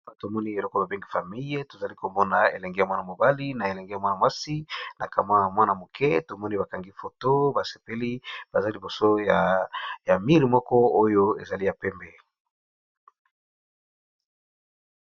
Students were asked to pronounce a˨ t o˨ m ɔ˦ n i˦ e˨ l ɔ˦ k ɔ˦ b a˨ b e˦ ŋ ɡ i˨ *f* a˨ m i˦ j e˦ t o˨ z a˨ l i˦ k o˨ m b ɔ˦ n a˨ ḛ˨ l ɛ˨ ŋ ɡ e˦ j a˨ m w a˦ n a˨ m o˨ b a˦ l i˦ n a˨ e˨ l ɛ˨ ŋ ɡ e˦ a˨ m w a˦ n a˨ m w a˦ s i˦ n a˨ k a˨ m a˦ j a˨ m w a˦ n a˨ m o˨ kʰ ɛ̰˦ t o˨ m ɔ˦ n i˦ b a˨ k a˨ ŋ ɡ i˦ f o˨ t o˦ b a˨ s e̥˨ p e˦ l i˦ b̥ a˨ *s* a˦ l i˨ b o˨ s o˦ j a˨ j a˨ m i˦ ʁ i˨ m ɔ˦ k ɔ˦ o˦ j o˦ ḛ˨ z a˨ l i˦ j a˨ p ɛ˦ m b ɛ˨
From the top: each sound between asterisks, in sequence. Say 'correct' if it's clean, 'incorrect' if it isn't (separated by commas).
correct, incorrect